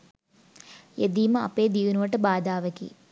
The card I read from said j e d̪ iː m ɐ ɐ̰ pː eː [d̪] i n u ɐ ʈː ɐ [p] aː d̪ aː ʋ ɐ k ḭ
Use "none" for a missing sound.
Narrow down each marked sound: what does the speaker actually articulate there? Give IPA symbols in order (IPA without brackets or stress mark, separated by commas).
d̪, b